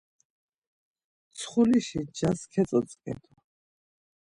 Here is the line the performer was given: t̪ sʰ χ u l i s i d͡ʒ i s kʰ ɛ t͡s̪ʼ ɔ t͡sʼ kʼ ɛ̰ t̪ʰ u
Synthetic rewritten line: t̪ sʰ χ u l i ʃ i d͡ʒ a s kʰ ɛ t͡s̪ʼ ɔ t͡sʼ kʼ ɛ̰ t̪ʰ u